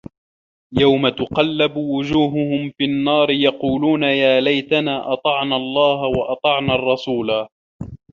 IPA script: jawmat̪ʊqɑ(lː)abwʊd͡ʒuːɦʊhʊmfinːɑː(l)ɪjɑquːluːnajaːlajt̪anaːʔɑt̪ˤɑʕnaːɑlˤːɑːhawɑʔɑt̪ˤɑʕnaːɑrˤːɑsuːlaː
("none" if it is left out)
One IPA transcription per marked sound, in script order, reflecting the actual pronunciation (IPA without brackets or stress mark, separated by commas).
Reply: lː, ɾ